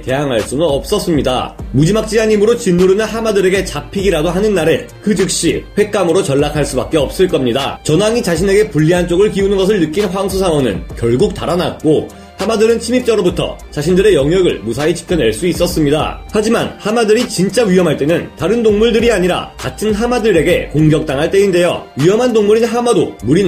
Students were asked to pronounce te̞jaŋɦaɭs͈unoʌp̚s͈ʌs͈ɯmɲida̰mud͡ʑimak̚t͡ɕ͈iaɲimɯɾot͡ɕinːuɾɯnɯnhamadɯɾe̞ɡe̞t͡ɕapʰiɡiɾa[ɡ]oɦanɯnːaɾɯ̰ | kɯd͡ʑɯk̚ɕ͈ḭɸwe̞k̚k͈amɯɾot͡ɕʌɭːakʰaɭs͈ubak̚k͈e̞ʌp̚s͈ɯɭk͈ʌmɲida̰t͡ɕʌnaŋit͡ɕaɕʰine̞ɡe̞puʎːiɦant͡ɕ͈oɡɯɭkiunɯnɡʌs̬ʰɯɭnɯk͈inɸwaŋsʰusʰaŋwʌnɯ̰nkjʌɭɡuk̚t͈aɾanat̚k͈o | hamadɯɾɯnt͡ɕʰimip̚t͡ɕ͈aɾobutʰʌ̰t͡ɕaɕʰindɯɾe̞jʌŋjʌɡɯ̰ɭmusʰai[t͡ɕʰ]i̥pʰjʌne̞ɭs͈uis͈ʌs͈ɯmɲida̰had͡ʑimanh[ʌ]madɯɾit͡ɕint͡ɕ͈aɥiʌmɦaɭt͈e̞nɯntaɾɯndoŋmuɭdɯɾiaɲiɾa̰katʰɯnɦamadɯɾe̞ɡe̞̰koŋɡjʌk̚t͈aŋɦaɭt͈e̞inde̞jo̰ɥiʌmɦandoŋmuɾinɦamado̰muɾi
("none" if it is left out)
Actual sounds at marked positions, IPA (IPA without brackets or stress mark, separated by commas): d, t͡ɕ, a